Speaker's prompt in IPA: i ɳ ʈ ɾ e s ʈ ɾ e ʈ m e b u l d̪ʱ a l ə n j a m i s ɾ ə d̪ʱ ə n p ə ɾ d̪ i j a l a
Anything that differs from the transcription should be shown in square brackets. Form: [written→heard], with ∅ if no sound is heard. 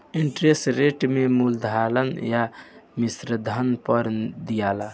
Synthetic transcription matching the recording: i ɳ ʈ ɾ e s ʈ ɾ e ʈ m e [b→m] u l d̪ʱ a l ə n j a m i s ɾ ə d̪ʱ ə n p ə ɾ d̪ i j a l a